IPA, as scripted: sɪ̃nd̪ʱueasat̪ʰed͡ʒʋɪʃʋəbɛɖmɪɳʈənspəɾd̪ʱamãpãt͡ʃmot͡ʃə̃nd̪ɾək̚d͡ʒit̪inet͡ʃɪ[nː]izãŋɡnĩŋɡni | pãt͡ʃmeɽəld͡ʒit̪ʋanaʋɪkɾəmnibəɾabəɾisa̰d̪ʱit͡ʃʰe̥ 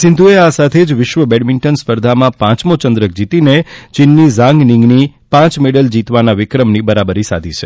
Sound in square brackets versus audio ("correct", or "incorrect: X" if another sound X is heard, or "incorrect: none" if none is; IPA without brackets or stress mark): correct